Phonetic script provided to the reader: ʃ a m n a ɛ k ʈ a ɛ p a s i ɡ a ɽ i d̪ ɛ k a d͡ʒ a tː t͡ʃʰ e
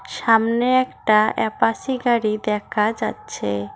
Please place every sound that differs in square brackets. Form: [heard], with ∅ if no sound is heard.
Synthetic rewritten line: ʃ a m n [e] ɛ k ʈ a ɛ p a s i ɡ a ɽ i d̪ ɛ [kʰ] a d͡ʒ a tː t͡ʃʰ e